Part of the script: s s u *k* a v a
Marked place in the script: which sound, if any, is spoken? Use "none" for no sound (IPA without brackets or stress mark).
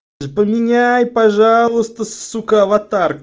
k